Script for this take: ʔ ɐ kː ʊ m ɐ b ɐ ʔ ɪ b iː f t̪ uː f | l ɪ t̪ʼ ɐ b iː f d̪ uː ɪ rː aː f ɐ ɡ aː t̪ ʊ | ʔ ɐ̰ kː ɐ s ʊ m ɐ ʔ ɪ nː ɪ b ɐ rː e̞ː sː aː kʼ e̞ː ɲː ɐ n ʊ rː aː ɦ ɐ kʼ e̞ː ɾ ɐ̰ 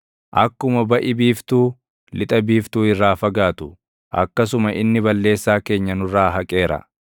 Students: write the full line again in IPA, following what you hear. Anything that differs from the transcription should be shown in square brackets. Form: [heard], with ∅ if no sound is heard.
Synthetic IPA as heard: ʔ ɐ kː ʊ m ɐ b ɐ ʔ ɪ b iː f t̪ uː [∅] | l ɪ t̪ʼ ɐ b iː f [t̪] uː ɪ rː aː f ɐ ɡ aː t̪ ʊ | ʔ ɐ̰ kː ɐ s ʊ m ɐ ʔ ɪ nː ɪ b ɐ [lː] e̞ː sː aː [k] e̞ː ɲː ɐ n ʊ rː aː ɦ ɐ kʼ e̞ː ɾ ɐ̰